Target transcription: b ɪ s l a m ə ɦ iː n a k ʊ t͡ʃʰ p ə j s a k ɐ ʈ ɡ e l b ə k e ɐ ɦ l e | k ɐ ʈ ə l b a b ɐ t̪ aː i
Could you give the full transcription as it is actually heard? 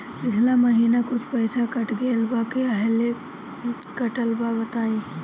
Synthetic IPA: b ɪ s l a m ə ɦ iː n a k ʊ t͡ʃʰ p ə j s a k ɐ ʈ ɡ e l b a k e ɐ ɦ l e | k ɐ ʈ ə l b a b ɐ t̪ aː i